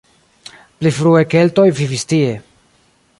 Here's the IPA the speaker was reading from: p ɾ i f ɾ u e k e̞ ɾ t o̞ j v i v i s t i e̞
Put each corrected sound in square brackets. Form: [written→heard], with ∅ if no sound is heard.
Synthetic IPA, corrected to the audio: p [ɾ→l] i f ɾ u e k e̞ [ɾ→l] t o̞ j v i v i s t i e̞